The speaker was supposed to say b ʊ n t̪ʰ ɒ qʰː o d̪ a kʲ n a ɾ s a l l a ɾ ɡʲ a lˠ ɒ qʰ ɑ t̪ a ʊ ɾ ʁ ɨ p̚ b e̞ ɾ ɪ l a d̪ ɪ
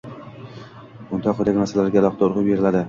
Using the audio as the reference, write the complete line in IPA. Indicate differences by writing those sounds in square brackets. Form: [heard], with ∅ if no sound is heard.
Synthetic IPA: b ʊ n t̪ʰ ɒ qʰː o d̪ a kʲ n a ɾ s a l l a ɾ ɡʲ a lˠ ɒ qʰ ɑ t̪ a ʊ ɾ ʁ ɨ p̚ b e̞ ɾ ɪ l a d̪ ɪ